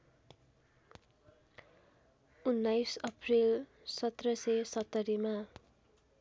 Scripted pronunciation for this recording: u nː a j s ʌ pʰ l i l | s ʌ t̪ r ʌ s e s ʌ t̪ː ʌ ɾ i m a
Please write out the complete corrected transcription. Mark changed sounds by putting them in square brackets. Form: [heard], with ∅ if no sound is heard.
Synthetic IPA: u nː a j s ʌ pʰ [r] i l | s ʌ t̪ r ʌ s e s ʌ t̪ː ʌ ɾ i m a